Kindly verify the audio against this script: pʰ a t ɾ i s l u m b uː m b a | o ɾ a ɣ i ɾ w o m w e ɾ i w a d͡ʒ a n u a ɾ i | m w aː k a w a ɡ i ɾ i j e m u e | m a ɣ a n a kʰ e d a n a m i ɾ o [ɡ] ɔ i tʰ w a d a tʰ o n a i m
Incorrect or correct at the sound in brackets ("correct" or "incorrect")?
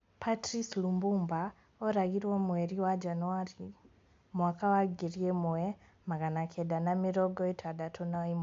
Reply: correct